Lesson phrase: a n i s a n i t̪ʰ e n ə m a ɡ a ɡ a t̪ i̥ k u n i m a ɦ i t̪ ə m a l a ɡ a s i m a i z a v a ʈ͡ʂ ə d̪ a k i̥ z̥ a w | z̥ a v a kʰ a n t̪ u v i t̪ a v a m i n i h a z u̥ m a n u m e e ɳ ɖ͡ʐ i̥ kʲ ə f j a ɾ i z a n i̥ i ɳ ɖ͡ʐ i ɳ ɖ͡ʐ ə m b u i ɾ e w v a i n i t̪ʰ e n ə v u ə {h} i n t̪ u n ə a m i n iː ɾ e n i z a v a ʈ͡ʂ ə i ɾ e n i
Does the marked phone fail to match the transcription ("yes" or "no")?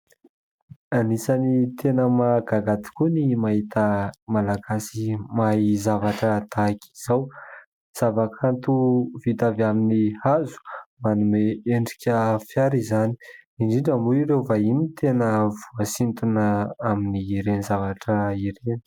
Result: yes